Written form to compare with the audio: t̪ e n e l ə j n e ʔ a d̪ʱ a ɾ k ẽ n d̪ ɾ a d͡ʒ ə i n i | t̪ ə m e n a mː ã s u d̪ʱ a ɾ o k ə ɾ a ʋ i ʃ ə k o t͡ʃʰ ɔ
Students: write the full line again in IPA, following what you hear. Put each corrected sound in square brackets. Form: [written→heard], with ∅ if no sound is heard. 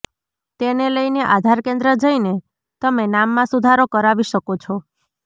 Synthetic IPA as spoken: t̪ e n e l ə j n e ʔ a d̪ʱ a ɾ k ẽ n d̪ ɾ [a→ə] d͡ʒ ə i n [i→e] | t̪ ə m e n a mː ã s u d̪ʱ a ɾ o k ə ɾ a ʋ i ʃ ə k o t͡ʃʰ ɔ